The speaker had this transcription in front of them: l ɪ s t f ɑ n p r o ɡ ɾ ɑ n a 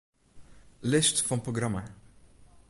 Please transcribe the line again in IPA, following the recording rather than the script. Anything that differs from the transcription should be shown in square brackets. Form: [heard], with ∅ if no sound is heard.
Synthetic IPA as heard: l ɪ s t f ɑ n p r o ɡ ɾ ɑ [m] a